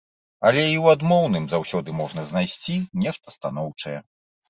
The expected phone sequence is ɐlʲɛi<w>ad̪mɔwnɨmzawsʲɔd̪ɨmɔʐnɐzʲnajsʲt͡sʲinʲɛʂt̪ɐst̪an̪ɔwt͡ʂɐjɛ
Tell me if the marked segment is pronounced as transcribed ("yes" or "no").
yes